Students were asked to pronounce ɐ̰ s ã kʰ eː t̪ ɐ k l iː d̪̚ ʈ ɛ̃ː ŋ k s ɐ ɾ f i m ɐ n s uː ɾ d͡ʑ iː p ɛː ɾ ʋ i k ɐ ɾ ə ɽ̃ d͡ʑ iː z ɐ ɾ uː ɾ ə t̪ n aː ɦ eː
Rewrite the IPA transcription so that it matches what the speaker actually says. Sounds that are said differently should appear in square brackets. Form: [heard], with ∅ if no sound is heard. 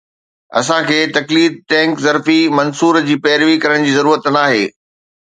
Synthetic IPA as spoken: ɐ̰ s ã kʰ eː t̪ ɐ k l iː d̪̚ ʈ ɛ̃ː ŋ k [z] ɐ ɾ f i m ɐ n s uː ɾ d͡ʑ iː p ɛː ɾ ʋ i k ɐ ɾ ə ɽ̃ d͡ʑ iː z ɐ ɾ uː ɾ ə t̪ n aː ɦ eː